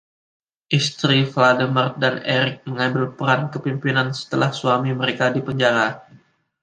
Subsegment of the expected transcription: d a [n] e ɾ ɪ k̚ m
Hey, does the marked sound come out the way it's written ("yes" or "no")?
yes